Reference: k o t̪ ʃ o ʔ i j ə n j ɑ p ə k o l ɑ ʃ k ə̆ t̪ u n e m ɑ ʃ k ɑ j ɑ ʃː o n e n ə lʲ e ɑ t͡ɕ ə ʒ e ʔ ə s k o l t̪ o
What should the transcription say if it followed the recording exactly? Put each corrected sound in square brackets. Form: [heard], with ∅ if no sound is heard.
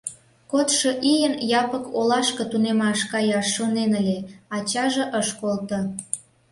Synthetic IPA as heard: k o t̪ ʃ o ʔ i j ə n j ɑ p ə k o l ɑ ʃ k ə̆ t̪ u n e m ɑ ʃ k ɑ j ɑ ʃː o n e n ə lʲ e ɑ t͡ɕ [ɑ] ʒ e ʔ ə [ʃ] k o l t̪ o

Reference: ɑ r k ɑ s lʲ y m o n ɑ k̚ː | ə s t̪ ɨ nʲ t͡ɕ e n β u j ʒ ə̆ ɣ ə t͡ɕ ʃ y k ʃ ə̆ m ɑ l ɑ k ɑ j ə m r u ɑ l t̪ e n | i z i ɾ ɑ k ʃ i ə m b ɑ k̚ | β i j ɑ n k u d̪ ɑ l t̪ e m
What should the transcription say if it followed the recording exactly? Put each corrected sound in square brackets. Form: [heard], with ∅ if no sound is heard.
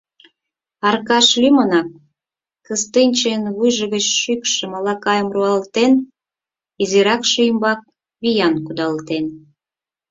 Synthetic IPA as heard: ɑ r k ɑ [ʃ] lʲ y m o n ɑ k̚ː | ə s t̪ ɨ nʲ t͡ɕ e n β u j ʒ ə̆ ɣ ə t͡ɕ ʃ y k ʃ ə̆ m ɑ l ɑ k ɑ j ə m r u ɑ l t̪ e n | i z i ɾ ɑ k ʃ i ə m b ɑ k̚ | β i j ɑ n k u d̪ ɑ l t̪ e [n]

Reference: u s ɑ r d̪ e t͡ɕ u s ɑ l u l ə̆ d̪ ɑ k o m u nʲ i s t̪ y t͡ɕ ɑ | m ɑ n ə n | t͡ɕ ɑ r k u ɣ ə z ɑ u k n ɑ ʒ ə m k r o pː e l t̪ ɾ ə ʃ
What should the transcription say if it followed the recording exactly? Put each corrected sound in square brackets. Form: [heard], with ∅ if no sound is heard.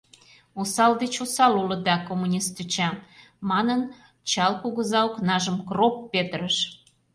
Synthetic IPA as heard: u s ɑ [l] d̪ e t͡ɕ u s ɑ l u l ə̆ d̪ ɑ k o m u nʲ i s t̪ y t͡ɕ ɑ | m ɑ n ə n | t͡ɕ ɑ [l] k u ɣ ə z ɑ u k n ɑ ʒ ə m k r o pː e [∅] t̪ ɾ ə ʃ

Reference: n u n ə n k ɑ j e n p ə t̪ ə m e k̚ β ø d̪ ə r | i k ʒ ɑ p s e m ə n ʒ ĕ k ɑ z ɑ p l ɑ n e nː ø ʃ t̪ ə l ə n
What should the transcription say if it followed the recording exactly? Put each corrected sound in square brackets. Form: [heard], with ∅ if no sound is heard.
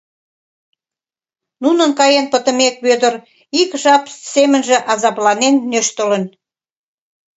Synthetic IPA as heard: n u n ə n k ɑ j e n p ə t̪ ə m e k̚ β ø d̪ ə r | i k ʒ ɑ p s e m ə n ʒ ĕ [ʔ] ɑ z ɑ p l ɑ n e nː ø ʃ t̪ ə l ə n

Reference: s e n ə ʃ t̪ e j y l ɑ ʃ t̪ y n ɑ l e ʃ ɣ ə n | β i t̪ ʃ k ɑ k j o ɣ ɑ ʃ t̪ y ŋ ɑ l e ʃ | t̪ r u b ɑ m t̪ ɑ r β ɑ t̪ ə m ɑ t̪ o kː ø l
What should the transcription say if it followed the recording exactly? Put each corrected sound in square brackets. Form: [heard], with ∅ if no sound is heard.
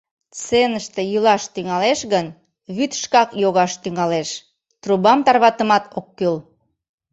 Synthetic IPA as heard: [t͡s] e n ə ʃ t̪ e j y l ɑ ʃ t̪ y [ŋ] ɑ l e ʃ ɣ ə n | β [y] t̪ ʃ k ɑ k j o ɣ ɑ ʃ t̪ y ŋ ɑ l e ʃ | t̪ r u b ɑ m t̪ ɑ r β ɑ t̪ ə m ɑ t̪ o kː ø l

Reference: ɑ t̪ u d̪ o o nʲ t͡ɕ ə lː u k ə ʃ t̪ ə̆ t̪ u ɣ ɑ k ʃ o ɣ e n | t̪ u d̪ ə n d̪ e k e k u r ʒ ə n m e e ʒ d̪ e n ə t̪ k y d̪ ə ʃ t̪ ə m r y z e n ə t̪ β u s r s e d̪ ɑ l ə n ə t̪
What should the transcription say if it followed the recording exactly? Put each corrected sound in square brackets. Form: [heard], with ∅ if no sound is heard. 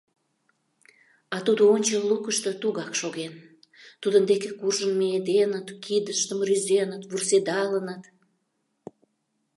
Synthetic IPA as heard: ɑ t̪ u d̪ o o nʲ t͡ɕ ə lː u k ə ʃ t̪ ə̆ t̪ u ɣ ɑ k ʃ o ɣ e n | t̪ u d̪ ə n d̪ e k e k u r ʒ ə n m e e [∅] d̪ e n ə t̪ k [i] d̪ ə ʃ t̪ ə m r y z e n ə t̪ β u [∅] r s e d̪ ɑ l ə n ə t̪

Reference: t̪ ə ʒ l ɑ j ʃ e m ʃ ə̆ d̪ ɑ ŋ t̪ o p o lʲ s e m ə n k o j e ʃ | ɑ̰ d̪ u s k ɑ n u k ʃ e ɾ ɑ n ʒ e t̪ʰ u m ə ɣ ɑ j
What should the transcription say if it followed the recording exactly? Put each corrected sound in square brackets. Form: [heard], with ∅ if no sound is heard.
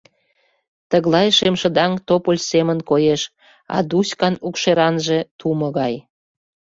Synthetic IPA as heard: t̪ ə [ɣ] l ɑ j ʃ e m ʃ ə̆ d̪ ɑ ŋ t̪ o p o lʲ s e m ə n k o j e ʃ | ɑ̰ d̪ u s k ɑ n u k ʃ e ɾ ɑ n ʒ e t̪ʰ u m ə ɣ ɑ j

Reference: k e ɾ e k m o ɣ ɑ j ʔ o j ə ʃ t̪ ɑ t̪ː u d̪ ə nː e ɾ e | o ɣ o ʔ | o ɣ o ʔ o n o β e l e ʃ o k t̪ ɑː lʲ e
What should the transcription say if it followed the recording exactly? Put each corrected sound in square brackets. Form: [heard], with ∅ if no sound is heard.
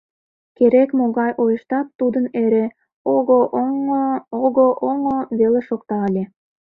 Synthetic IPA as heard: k e ɾ e k m o ɣ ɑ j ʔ o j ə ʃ t̪ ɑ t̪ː u d̪ ə [n] e ɾ e | o ɣ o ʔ | o ɣ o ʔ o [ŋ] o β e l e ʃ o k t̪ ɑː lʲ e

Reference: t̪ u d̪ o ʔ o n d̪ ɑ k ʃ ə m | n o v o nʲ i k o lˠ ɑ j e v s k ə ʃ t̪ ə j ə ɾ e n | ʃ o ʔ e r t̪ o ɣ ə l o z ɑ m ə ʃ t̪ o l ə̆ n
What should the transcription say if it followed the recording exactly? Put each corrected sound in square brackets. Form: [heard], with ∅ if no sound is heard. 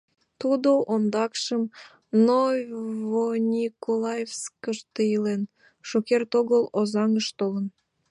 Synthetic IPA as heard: t̪ u d̪ o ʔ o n d̪ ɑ k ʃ ə m | n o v o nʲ i k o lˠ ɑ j e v s k ə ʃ t̪ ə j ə [l] e n | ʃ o [k] e r t̪ o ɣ ə l o z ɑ [ŋ] ə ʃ t̪ o l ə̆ n

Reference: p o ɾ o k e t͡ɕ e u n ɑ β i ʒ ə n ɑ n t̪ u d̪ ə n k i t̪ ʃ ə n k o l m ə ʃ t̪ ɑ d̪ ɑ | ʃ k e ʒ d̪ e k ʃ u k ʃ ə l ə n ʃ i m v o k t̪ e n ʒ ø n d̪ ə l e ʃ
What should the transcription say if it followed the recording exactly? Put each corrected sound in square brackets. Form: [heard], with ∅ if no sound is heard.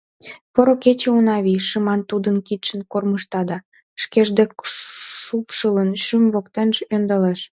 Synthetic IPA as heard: p o ɾ o k e t͡ɕ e u n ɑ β i [ʃ] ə [m] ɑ n t̪ u d̪ ə n k i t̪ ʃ ə n k o [r] m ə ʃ t̪ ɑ d̪ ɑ | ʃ k e ʒ d̪ e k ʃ u [p] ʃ ə l ə n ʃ [y] m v o k t̪ e n ʒ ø n d̪ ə l e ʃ

